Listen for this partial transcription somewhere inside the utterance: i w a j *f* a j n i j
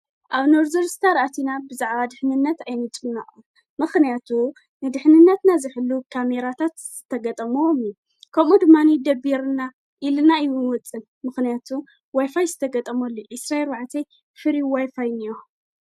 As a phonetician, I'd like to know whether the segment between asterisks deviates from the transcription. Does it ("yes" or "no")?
no